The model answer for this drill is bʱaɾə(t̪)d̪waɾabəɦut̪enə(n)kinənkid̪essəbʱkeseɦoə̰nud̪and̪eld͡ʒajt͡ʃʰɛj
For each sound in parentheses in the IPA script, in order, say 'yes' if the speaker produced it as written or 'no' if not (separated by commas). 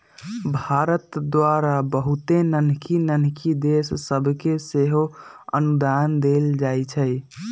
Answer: yes, yes